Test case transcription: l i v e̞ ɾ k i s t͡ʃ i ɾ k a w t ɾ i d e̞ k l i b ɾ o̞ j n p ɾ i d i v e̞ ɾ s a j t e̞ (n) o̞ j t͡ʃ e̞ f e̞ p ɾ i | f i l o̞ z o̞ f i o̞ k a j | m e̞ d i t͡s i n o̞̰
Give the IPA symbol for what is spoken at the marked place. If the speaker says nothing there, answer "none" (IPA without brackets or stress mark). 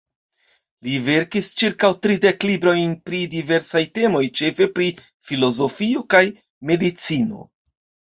m